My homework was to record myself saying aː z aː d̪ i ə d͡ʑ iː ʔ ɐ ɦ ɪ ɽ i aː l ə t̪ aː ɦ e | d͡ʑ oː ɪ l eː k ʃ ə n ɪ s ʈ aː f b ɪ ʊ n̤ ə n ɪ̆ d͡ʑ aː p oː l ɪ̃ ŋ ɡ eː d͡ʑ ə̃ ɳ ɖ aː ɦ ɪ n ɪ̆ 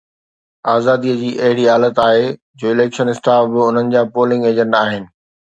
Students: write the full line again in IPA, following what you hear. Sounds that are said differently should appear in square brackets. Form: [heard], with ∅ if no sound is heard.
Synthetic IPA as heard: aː z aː d̪ i ə d͡ʑ iː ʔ ɐ ɦ ɪ ɽ i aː l ə t̪ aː ɦ e | d͡ʑ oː ɪ l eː k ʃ ə n ɪ s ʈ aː f b ɪ ʊ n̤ ə n ɪ̆ d͡ʑ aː p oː l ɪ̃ ŋ ɡ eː d͡ʑ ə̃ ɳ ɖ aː ɦ ɪ n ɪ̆